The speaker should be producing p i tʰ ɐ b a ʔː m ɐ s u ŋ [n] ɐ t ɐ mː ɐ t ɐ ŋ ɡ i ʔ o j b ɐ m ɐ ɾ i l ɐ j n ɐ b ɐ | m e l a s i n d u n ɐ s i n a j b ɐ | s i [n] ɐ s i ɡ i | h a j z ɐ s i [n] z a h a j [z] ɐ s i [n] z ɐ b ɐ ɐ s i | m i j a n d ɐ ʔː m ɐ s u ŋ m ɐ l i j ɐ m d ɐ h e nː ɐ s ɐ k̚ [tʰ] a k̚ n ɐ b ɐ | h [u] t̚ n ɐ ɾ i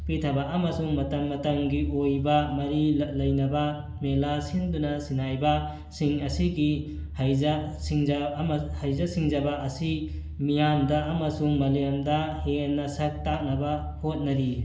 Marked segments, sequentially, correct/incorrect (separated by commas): incorrect, incorrect, incorrect, correct, incorrect, incorrect, incorrect